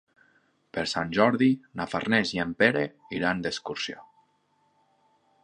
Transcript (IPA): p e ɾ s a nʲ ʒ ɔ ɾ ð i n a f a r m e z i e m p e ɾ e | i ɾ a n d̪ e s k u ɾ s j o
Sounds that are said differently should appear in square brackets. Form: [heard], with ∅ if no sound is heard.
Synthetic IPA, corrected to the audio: p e ɾ s a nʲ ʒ ɔ ɾ ð i n a f a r [n] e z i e m p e ɾ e | i ɾ a n d̪ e s k u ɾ s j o